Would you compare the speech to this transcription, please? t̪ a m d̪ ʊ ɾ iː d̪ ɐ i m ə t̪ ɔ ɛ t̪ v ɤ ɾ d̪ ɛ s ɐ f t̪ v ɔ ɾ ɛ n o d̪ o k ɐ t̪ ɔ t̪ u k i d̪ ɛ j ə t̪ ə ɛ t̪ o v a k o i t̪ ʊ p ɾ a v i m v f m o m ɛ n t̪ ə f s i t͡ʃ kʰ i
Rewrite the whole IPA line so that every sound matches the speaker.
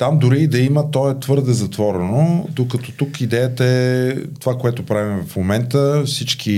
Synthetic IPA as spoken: t̪ a m d̪ ʊ ɾ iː d̪ ɐ i m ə t̪ ɔ ɛ t̪ v ɤ ɾ d̪ ɛ z ɐ t̪ v ɔ ɾ ɛ n o d̪ o k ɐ t̪ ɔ t̪ u k i d̪ ɛ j ə t̪ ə ɛ t̪ o v a k o ɛ t̪ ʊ p ɾ a v i m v f m o m ɛ n t̪ ə f s i t͡ʃ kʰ i